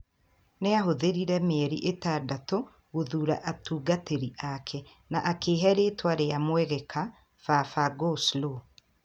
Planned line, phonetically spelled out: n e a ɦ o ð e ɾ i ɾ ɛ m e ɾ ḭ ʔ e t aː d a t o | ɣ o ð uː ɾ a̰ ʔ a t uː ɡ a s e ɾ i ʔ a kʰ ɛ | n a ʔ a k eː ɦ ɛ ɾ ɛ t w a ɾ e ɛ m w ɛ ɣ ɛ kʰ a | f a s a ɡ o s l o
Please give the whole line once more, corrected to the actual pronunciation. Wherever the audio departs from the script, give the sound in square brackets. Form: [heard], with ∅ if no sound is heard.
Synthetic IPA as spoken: n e a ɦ o ð e ɾ i ɾ ɛ m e ɾ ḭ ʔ e t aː d a t o | ɣ o ð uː ɾ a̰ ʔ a t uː ɡ a [t] e ɾ i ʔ a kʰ ɛ | n a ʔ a k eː ɦ ɛ ɾ [e] t w a ɾ e [a] m w ɛ ɣ ɛ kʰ a | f a [f] a ɡ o s l o

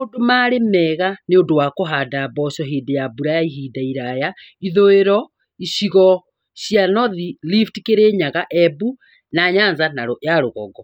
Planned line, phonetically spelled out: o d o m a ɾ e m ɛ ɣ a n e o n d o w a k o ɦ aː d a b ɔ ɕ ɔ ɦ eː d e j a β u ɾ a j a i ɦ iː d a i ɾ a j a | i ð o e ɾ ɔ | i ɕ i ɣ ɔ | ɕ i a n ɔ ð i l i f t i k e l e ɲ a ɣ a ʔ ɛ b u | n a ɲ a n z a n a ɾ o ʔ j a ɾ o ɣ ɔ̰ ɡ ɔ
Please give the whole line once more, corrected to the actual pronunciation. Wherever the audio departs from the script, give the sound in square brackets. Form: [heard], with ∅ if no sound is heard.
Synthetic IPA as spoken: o d o m a ɾ e m ɛ ɣ a n e o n d o w a k o ɦ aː d a b ɔ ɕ ɔ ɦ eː d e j a [b] u ɾ a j a i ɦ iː d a i ɾ a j a | i ð o e ɾ ɔ | i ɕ i ɣ ɔ | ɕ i a n ɔ ð i l i f t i k e [ɾ] e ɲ a ɣ a ʔ ɛ b u | n a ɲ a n z a n a ɾ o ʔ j a ɾ o ɣ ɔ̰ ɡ ɔ

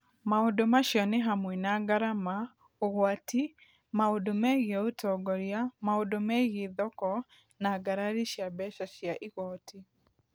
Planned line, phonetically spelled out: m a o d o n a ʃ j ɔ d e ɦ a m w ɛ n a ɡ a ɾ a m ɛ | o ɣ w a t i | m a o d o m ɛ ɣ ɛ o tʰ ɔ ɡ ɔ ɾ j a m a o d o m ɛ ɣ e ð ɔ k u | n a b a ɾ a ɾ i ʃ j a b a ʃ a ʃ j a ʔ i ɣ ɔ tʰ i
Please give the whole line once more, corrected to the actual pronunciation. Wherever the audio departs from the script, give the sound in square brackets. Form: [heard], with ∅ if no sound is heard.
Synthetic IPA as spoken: m a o d o [m] a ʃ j ɔ [n] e ɦ a m w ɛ n a ɡ a ɾ a m [a] | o ɣ w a t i | m a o d o m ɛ ɣ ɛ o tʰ ɔ ɡ ɔ ɾ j a m a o d o m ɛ ɣ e ð ɔ k [ɔ] | n a [ɡ] a ɾ a ɾ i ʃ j a b [ɛ] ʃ a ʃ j a ʔ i ɣ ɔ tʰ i

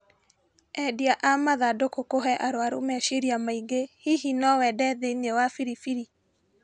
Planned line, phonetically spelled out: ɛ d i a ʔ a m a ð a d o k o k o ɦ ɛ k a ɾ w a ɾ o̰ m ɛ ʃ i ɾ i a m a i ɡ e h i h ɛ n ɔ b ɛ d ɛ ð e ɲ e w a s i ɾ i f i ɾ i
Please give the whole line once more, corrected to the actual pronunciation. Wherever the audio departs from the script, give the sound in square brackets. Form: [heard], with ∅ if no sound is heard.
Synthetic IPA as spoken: ɛ d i a ʔ a m a ð a d o k o k o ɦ ɛ [ʔ] a ɾ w a ɾ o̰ m ɛ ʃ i ɾ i a m a i ɡ e h i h [i] n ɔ [w] ɛ d ɛ ð e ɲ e w a [f] i ɾ i f i ɾ i

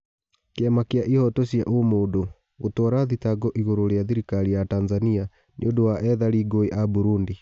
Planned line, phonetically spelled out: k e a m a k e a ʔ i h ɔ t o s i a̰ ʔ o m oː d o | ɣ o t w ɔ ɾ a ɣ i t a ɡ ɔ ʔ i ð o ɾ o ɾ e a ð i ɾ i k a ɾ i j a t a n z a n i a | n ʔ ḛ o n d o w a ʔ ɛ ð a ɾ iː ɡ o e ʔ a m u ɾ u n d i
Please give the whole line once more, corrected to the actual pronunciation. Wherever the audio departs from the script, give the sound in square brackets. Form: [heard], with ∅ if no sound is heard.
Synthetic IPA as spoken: k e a m a k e a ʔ i h ɔ t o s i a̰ ʔ o m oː d o | ɣ o t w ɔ ɾ a [ð] i t a ɡ ɔ ʔ i [ɣ] o ɾ o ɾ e a ð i ɾ i k a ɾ i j a t a n z a n i a | n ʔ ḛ o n d o w a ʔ ɛ ð a ɾ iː ɡ o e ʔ a [b] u ɾ u n d i

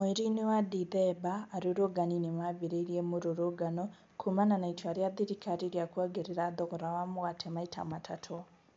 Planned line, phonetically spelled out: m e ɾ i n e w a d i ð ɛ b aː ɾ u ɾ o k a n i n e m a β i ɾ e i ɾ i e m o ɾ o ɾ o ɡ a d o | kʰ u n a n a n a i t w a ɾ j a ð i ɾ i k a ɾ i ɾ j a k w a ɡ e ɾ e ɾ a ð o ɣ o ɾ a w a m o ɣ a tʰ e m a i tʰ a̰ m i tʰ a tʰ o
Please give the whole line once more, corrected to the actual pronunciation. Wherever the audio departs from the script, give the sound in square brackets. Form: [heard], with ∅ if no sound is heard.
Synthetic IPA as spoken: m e ɾ i n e w a d i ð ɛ b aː ɾ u ɾ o [ɡ] a n i n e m a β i ɾ e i ɾ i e m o ɾ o ɾ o ɡ a [n] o | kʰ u [m] a n a n a i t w a ɾ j a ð i ɾ i k a ɾ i ɾ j a k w a ɡ e ɾ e ɾ a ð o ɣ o ɾ a w a m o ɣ a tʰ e m a i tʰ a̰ m [a] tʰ a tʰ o

